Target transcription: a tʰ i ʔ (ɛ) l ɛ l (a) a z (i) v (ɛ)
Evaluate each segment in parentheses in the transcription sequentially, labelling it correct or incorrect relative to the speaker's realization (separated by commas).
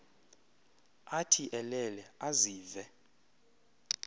correct, incorrect, incorrect, correct